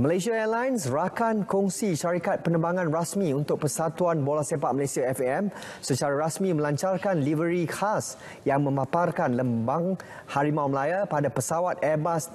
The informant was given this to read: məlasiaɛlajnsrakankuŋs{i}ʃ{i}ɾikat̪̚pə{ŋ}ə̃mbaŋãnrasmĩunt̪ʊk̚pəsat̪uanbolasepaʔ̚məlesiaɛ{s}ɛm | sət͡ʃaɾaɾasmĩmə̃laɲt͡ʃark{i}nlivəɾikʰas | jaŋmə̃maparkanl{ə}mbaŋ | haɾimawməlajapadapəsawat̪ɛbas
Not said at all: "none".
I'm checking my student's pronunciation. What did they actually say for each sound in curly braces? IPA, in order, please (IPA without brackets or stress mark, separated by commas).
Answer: i, a, n, f, a, ə